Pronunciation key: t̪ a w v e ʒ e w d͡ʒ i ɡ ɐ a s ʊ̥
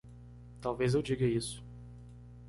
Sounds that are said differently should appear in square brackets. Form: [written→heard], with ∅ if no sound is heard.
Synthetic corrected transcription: t̪ a w v e [ʒ→z] e w d͡ʒ i ɡ ɐ [a→i] s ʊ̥